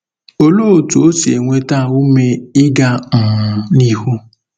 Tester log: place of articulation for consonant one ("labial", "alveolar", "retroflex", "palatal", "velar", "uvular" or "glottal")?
alveolar